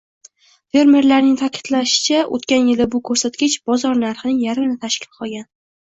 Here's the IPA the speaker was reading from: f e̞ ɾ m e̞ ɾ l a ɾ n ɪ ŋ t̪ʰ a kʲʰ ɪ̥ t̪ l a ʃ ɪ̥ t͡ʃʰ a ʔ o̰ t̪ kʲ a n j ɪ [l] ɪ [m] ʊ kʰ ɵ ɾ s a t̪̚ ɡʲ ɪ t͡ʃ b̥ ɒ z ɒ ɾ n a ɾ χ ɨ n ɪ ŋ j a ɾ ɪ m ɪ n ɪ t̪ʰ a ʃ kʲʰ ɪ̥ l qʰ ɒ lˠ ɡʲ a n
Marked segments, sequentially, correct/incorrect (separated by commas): correct, incorrect